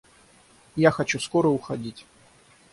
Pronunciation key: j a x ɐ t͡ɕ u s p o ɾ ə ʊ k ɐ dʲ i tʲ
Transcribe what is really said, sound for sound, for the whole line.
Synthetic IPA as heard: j a x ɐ t͡ɕ u s k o ɾ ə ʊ x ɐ dʲ i tʲ